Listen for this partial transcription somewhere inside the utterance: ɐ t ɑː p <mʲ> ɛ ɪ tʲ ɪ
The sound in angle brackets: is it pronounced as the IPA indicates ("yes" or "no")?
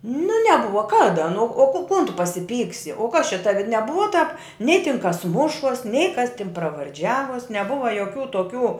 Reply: no